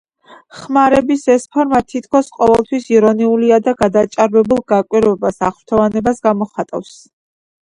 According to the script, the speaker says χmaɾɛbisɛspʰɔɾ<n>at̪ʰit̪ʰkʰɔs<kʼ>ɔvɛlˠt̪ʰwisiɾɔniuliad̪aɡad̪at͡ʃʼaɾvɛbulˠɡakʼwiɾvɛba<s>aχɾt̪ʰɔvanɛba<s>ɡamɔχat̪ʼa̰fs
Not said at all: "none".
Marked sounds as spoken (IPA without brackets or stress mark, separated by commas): m, qʼ, s, s